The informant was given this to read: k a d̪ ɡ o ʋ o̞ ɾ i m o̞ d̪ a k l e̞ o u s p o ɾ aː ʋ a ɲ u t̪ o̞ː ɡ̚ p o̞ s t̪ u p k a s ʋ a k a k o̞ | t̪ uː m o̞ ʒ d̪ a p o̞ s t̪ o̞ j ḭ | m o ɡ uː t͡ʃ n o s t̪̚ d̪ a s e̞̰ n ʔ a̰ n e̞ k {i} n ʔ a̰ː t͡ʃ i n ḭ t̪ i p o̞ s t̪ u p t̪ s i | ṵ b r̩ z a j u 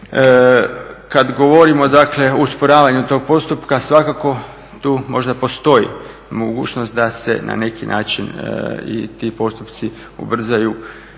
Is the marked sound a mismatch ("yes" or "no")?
no